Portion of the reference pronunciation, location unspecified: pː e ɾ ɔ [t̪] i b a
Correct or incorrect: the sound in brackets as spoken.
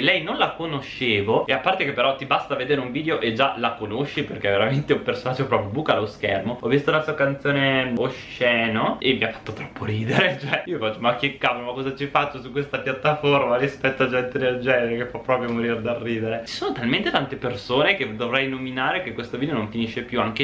correct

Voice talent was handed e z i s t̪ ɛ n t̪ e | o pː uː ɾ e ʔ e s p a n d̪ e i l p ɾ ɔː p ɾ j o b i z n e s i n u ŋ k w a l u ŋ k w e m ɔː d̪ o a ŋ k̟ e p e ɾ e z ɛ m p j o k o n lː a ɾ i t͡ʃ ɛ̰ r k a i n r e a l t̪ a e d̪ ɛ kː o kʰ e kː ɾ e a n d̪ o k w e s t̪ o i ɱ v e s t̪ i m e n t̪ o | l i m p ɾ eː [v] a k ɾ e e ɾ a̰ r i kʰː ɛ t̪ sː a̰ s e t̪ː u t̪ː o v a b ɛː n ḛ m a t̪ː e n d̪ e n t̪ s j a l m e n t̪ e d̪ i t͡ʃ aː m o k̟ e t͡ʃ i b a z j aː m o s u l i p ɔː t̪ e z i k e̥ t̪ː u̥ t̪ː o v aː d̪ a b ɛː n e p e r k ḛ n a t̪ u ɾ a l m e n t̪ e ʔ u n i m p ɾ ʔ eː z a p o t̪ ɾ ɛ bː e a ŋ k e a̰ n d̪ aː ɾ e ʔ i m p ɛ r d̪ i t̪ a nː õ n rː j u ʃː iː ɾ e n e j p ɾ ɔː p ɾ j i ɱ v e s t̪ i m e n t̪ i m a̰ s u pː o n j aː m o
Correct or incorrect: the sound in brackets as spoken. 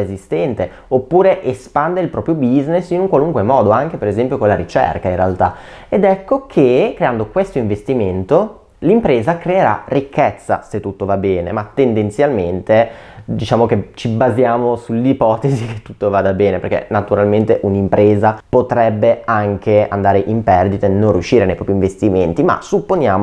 incorrect: z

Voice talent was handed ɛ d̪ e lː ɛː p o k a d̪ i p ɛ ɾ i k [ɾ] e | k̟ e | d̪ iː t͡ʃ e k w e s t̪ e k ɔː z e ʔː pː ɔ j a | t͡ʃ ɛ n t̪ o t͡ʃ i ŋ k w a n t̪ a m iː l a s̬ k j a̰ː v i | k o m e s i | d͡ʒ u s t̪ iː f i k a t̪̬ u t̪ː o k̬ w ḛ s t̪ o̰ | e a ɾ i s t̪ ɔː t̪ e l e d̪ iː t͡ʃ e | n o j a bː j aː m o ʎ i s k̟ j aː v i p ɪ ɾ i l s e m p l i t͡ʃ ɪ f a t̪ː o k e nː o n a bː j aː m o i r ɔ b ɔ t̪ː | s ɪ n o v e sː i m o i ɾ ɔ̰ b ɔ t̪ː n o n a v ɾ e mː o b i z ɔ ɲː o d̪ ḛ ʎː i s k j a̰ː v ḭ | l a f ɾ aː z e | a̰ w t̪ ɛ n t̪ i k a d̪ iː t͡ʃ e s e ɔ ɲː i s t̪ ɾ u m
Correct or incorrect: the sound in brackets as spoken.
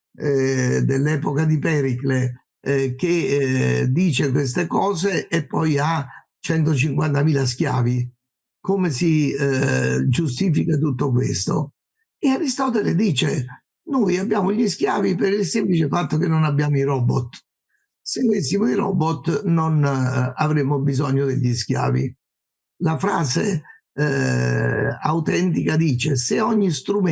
incorrect: l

